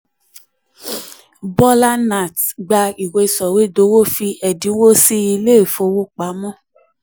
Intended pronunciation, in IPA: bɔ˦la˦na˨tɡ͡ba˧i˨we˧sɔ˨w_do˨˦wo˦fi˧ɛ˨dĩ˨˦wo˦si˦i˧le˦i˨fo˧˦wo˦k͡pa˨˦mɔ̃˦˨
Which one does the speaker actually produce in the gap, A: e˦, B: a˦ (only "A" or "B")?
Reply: A